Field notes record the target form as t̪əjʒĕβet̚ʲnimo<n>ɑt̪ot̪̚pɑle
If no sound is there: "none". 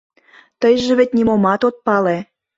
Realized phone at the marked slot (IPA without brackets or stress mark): m